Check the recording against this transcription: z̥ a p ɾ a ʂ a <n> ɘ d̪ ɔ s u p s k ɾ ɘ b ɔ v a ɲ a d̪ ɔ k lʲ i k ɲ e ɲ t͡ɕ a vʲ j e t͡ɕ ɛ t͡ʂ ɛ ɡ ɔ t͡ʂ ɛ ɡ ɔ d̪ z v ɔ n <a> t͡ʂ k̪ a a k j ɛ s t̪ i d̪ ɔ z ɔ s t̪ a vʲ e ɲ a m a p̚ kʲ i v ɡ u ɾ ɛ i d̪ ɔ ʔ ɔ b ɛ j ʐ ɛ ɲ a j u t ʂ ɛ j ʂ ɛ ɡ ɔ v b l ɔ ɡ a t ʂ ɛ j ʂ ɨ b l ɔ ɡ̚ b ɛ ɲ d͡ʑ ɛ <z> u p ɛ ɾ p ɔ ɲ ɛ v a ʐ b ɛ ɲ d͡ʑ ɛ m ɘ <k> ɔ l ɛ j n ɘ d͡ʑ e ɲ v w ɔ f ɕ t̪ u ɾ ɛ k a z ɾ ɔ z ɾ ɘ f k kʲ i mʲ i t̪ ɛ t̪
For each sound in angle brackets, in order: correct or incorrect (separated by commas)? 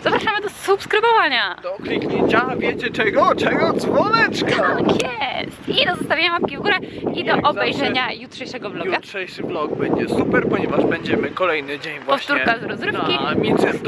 incorrect, incorrect, incorrect, correct